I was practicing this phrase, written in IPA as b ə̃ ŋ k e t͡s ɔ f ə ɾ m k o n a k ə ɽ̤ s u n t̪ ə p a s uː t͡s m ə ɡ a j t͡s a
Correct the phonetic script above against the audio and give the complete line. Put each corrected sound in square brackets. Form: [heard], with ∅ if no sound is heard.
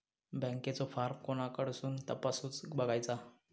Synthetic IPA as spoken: b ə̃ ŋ k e t͡s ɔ f [a] ɾ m k o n a k ə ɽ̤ s [uː] n t̪ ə p a s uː t͡s [b] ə ɡ a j t͡s a

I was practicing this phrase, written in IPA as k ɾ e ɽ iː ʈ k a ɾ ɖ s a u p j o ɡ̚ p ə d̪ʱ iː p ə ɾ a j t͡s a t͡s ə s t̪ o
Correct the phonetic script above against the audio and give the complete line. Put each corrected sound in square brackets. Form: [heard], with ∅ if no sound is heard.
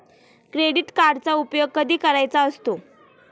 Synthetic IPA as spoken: k ɾ e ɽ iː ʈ k a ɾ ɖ [t͡s] a u p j o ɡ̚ [k] ə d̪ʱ iː [k] ə ɾ a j t͡s a [∅] ə s t̪ o

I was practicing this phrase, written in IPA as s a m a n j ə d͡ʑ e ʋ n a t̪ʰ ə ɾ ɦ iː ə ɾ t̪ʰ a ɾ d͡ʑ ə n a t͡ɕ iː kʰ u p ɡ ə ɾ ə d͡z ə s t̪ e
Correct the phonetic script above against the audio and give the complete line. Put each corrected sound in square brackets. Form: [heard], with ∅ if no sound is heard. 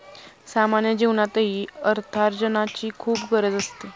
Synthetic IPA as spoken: s a m a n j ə d͡ʑ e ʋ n a [t̪] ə [∅] ɦ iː ə ɾ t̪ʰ a ɾ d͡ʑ ə n a t͡ɕ iː kʰ [uː] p ɡ ə ɾ ə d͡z ə s t̪ e

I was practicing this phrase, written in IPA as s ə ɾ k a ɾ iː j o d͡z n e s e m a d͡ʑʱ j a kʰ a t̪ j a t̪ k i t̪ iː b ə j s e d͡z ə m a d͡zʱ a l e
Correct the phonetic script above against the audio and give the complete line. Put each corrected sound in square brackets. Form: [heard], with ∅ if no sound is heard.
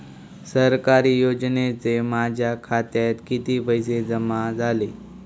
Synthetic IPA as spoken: s ə ɾ k a ɾ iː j o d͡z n e [t͡s] e m a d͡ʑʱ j a kʰ a t̪ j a t̪ k i t̪ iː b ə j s e d͡z ə m a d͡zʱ a l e

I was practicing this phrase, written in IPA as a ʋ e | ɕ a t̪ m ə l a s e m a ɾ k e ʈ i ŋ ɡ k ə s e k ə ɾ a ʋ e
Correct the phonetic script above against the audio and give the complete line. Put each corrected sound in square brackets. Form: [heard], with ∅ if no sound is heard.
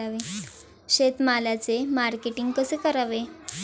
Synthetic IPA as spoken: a ʋ e | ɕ [e] t̪ m [a] l a [t͡s] e m a ɾ k e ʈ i ŋ ɡ k ə s e k ə ɾ a ʋ e

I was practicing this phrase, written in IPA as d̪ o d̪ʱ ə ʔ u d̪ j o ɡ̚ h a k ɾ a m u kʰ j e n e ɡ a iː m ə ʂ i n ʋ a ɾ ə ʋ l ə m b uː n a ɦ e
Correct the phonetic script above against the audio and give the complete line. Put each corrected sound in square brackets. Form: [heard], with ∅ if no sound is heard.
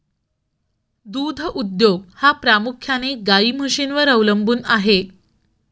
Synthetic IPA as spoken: d̪ [u] d̪ʱ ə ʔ u d̪ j o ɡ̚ h a [p] ɾ a m u kʰ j [a] n e ɡ a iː m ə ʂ i n ʋ [ə] ɾ ə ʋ l ə m b uː n a ɦ e

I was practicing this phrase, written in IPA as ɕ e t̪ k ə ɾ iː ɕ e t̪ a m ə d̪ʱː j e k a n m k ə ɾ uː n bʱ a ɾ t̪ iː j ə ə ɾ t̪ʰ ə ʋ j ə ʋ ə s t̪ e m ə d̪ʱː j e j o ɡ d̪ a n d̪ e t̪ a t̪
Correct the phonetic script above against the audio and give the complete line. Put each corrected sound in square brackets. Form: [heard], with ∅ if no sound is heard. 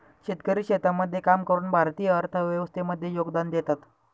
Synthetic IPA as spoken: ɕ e t̪ k ə ɾ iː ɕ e t̪ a m ə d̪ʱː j e k a [∅] m k ə ɾ uː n bʱ a ɾ t̪ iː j ə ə ɾ t̪ʰ ə ʋ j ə ʋ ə s t̪ e m ə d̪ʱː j e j o ɡ d̪ a n d̪ e t̪ a t̪

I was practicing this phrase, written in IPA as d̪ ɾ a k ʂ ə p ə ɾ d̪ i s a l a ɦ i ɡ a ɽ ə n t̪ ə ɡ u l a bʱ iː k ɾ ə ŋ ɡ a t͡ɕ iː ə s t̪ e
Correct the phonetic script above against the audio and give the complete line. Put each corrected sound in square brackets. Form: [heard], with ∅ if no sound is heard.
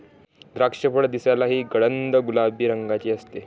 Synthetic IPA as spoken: d̪ ɾ a k ʂ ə p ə [ɽ] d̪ i s a l a ɦ [iː] ɡ [ə] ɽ ə n [d̪] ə ɡ u l a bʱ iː [∅] ɾ ə ŋ ɡ a t͡ɕ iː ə s t̪ e

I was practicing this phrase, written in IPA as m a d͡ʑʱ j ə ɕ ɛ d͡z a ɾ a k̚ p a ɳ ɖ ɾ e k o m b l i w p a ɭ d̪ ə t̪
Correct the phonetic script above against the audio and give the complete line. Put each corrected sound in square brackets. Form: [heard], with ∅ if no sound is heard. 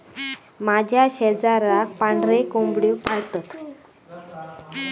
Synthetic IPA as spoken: m a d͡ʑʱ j [a] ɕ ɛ d͡z a ɾ a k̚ p a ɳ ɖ ɾ e k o m b [ɽ] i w p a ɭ [t̪] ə t̪

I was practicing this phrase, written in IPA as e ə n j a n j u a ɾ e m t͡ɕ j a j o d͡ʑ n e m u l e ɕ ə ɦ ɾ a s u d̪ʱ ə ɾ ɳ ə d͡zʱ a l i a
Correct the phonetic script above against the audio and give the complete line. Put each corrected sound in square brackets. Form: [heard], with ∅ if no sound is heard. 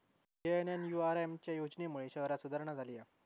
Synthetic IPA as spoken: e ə n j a n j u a ɾ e m t͡ɕ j a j o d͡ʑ n e m u [ɭ] e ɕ ə ɦ ɾ a s u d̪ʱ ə ɾ ɳ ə d͡zʱ a l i a

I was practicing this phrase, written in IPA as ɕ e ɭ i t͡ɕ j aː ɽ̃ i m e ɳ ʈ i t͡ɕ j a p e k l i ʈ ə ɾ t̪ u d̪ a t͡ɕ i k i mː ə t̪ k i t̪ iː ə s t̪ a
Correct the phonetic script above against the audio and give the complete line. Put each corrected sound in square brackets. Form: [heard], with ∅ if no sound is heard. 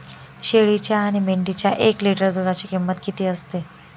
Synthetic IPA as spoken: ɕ e ɭ i t͡ɕ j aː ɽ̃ i m e ɳ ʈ i t͡ɕ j a [ʔ] e k l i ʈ ə ɾ [d̪] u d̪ a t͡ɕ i k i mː ə t̪ k i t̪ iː ə s t̪ [e]

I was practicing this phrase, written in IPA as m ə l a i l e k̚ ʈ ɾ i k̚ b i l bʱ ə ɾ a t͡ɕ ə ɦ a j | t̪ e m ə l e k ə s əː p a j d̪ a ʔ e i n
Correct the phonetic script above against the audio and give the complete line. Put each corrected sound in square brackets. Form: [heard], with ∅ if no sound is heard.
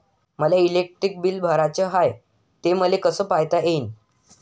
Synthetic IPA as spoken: m ə l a i l e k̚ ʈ ɾ i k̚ b i l bʱ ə ɾ a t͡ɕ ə ɦ a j | t̪ e m ə l e k ə s əː p a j [t̪] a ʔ e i n

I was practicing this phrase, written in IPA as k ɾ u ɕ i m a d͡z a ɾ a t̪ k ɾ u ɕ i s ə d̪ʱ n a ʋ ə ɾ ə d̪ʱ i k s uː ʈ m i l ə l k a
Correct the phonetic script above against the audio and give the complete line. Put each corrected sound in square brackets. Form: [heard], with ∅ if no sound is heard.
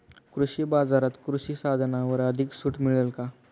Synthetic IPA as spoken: k ɾ u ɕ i [b] a d͡z a ɾ a t̪ k ɾ u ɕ i s [a] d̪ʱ n a ʋ ə ɾ ə d̪ʱ i k s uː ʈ m i [ɭ] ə l k a

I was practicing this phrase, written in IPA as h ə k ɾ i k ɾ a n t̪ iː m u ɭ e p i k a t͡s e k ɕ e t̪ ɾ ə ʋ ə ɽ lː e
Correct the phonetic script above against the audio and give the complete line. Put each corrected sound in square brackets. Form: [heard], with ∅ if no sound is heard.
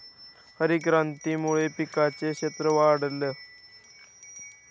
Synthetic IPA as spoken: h ə [∅] ɾ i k ɾ a n t̪ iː m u ɭ e p i k a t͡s e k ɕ e t̪ ɾ ə ʋ [a] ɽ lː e

